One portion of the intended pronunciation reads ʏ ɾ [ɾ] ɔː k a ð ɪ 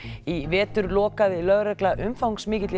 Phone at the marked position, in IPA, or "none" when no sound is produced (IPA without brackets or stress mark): l